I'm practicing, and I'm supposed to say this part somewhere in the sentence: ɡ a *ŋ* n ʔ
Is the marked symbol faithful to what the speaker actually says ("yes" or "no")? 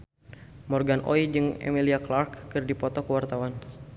no